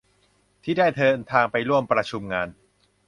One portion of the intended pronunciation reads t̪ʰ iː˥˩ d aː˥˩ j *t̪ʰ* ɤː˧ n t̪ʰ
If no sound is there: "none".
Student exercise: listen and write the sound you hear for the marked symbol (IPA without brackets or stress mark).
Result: t̪ʰ